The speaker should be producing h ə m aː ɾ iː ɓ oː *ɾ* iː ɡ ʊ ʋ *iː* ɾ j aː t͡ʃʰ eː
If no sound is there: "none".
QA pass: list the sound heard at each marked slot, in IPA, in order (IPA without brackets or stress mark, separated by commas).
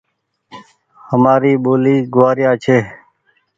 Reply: l, aː